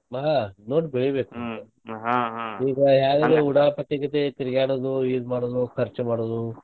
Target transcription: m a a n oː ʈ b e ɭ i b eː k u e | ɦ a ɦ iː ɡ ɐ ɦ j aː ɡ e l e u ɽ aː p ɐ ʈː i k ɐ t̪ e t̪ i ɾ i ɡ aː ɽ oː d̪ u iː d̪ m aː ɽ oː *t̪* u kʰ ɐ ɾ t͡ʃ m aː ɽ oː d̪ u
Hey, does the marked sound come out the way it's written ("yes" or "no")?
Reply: no